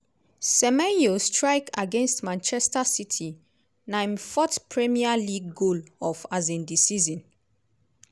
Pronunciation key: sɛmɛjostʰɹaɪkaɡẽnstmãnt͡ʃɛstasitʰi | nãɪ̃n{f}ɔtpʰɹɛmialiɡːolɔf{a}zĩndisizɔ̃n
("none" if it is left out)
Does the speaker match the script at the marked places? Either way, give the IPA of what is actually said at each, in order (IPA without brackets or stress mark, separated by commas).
f, a